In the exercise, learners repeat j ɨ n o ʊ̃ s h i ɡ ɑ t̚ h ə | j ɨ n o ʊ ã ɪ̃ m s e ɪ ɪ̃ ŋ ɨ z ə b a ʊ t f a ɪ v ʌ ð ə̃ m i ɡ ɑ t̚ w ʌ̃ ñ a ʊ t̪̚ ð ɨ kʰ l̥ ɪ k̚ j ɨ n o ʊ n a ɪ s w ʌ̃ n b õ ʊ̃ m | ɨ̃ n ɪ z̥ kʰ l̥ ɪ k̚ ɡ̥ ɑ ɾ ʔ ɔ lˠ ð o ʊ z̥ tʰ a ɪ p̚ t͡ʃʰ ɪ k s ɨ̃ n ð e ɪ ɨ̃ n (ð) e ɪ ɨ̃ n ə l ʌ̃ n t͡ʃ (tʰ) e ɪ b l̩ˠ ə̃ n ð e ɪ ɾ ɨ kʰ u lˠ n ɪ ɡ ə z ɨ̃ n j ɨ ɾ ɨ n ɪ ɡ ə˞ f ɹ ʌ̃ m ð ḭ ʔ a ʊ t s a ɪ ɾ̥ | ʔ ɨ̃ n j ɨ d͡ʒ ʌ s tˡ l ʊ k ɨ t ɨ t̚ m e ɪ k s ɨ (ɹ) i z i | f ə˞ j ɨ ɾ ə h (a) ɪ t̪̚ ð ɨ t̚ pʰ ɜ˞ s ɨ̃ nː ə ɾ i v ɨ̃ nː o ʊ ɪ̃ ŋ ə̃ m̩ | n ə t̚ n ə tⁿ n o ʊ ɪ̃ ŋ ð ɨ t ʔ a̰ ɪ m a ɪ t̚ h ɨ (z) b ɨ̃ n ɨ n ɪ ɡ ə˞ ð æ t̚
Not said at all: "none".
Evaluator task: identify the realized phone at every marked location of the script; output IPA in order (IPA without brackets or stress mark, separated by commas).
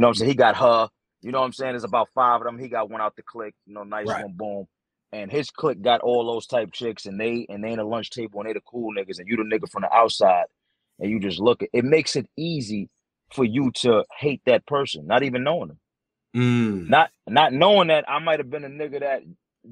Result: ð, tʰ, ɾ, e, v